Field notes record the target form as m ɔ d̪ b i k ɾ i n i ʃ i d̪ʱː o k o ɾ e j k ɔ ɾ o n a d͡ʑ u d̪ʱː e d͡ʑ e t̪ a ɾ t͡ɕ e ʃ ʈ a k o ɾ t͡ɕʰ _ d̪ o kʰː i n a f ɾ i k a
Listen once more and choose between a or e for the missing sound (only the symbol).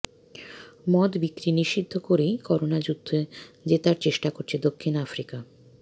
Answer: e